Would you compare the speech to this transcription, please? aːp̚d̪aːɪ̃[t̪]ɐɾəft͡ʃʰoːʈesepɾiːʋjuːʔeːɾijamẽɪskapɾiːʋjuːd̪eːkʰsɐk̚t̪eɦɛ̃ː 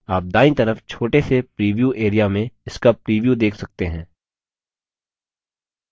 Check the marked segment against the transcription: correct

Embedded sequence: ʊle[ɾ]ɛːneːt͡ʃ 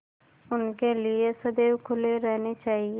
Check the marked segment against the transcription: correct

